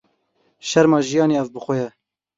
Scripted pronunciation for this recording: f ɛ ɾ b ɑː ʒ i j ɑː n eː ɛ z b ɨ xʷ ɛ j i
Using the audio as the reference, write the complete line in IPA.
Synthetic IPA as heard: ʃ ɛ ɾ m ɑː ʒ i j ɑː n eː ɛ v b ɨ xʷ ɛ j ɛ